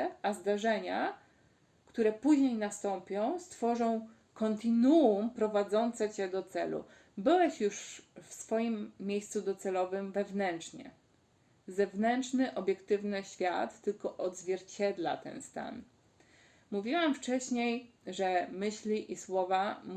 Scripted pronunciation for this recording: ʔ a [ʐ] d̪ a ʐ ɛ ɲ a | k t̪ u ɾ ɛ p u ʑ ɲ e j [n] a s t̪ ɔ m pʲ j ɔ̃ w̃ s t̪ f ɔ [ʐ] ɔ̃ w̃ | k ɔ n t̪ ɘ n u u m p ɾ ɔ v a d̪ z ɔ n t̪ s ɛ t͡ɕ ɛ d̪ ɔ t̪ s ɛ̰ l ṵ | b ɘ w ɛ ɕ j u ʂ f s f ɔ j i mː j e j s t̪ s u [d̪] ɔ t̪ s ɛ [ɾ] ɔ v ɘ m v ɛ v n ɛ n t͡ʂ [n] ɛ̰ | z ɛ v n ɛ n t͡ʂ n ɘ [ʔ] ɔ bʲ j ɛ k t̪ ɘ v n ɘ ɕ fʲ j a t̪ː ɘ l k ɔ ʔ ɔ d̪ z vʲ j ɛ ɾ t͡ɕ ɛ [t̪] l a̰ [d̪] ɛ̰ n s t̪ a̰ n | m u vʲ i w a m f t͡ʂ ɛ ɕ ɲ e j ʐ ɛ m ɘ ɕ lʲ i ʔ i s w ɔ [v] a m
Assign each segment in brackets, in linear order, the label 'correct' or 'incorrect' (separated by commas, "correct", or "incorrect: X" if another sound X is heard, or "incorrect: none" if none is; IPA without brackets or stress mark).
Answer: incorrect: z, correct, correct, correct, incorrect: l, incorrect: ɲ, correct, incorrect: d̪, incorrect: t̪, correct